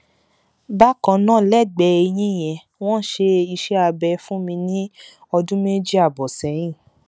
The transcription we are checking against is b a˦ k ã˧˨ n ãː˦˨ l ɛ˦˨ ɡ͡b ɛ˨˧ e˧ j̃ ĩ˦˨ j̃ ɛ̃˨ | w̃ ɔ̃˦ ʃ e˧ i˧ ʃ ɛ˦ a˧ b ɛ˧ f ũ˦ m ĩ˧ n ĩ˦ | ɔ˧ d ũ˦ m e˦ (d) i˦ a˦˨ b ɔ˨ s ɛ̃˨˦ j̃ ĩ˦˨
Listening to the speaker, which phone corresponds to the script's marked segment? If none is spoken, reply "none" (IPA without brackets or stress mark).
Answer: d͡ʒ